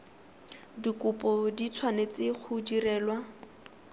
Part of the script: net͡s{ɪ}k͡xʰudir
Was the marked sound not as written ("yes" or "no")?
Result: no